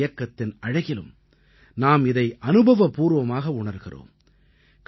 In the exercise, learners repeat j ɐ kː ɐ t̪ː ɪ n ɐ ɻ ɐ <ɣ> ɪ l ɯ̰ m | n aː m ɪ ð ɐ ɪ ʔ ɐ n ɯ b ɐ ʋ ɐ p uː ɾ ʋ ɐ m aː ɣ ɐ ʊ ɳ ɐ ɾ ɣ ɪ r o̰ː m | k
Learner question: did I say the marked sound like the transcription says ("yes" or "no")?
yes